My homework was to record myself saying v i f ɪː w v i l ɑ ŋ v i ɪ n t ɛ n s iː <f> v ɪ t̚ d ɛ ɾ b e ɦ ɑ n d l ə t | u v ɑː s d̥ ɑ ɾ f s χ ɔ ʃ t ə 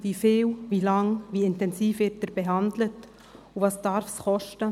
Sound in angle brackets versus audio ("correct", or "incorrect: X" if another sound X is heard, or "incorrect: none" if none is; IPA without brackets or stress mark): correct